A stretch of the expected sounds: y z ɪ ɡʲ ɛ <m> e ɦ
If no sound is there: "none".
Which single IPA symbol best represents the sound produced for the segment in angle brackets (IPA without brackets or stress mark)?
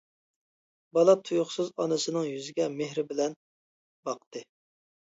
m